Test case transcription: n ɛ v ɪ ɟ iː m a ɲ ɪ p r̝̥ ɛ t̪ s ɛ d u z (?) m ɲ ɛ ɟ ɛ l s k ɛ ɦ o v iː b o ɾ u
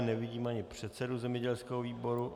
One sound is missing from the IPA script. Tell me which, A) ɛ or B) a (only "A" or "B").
A